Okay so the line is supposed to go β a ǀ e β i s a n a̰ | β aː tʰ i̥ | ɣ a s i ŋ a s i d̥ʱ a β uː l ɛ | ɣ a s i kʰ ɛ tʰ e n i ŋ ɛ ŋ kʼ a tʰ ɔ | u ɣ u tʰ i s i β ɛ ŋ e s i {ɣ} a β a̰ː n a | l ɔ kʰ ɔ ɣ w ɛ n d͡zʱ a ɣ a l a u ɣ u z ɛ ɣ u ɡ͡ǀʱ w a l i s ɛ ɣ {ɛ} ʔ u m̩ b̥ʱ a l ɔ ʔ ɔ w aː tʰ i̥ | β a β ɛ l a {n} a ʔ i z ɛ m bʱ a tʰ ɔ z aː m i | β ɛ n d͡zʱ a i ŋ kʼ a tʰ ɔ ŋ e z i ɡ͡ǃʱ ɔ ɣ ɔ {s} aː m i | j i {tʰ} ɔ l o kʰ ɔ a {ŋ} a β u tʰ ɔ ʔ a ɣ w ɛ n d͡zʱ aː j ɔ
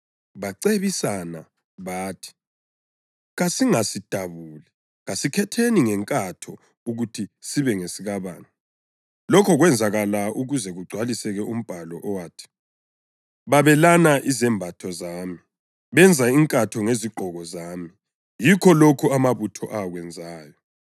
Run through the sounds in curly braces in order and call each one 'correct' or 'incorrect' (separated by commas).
correct, correct, correct, incorrect, incorrect, incorrect